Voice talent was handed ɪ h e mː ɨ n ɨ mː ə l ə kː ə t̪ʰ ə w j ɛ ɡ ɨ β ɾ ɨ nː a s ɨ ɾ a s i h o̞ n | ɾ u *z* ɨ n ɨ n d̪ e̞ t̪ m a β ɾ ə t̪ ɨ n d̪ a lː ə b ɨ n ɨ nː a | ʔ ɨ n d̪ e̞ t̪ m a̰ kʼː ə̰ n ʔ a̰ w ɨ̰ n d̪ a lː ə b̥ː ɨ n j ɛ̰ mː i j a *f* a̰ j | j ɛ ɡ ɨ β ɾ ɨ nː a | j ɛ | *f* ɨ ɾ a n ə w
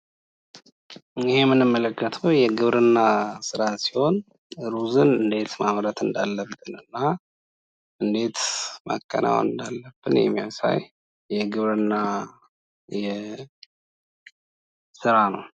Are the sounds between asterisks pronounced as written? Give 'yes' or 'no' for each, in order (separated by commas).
yes, no, no